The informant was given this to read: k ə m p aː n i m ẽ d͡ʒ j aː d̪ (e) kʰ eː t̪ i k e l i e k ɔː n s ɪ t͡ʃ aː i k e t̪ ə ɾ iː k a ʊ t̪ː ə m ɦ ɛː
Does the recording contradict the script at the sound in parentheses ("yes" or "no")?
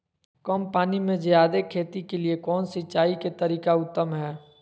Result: no